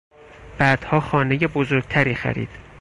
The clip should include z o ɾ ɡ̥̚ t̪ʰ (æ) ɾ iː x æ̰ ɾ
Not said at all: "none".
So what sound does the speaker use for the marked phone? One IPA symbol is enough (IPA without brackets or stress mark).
æ